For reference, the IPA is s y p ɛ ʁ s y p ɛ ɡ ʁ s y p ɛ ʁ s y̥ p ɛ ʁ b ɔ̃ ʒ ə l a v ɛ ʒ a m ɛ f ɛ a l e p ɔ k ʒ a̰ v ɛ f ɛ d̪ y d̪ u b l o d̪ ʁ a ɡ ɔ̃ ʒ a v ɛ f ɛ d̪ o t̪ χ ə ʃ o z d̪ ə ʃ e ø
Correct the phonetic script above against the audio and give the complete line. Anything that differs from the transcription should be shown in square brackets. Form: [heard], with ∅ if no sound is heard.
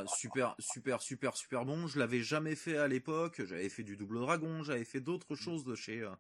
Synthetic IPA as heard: s y p ɛ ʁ s y p ɛ [∅] ʁ s y p ɛ ʁ s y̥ p ɛ ʁ b ɔ̃ ʒ ə l a v ɛ ʒ a m ɛ f ɛ a l e p ɔ k ʒ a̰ v ɛ f ɛ d̪ y d̪ u b l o d̪ ʁ a ɡ ɔ̃ ʒ a v ɛ f ɛ d̪ o t̪ χ ə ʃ o z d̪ ə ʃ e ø